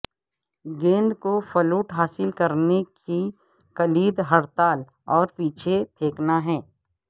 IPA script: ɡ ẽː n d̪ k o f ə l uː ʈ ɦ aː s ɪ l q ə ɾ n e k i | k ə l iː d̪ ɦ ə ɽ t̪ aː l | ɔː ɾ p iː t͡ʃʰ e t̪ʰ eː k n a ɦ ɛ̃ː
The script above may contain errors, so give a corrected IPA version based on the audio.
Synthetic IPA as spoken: ɡ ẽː n d̪ k o f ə l uː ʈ ɦ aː s ɪ l k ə ɾ n e k i | k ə l iː d̪ ɦ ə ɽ t̪ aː l | ɔː ɾ p iː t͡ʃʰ e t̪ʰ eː k n a ɦ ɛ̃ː